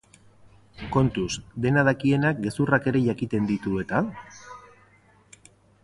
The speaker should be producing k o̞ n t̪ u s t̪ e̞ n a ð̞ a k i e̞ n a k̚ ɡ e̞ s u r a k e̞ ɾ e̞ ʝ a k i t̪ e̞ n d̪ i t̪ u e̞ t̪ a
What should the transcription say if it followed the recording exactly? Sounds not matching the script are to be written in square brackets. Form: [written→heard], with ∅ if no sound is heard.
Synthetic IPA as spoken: k o̞ n t̪ u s [t̪→d̪] e̞ n a ð̞ a k i e̞ n a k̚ ɡ e̞ s u r a k e̞ ɾ e̞ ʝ a k i t̪ e̞ n d̪ i t̪ u e̞ t̪ a